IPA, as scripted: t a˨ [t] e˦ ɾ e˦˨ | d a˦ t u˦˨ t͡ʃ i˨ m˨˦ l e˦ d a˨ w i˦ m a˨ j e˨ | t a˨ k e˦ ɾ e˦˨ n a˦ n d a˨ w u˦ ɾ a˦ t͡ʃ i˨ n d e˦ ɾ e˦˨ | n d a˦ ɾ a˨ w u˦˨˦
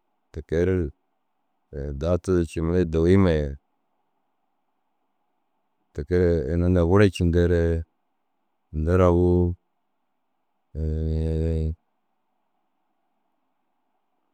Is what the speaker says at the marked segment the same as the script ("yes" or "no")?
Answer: no